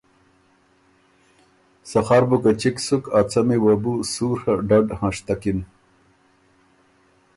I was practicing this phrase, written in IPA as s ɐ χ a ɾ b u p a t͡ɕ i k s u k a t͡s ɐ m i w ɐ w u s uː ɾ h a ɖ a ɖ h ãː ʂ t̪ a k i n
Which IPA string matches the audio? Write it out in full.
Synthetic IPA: s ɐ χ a ɾ b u k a t͡ɕ i k s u k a t͡s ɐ m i w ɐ b u s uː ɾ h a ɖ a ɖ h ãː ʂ t̪ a k i n